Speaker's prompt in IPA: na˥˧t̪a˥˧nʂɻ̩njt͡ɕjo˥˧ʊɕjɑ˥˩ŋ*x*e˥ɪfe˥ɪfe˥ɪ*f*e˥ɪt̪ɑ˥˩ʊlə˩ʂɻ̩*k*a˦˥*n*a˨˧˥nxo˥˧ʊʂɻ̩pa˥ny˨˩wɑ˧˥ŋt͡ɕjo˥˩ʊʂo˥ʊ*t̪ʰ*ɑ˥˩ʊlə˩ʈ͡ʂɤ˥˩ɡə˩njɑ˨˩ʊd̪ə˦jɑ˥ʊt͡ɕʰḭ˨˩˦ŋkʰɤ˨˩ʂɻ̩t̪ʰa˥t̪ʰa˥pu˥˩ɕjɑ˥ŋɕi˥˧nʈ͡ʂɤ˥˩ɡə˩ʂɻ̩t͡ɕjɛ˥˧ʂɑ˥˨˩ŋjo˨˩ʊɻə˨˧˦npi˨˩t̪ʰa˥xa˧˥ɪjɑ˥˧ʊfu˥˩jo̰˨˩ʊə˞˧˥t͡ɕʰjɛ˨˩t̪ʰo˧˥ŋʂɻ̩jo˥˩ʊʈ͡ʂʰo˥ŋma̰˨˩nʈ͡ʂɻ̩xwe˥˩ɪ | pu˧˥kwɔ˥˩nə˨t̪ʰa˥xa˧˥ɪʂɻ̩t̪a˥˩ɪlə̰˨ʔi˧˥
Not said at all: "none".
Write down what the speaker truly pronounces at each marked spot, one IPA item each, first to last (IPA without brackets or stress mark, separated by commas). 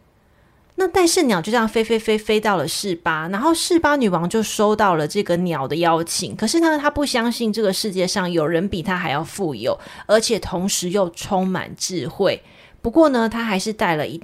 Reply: f, f, p, n, t̪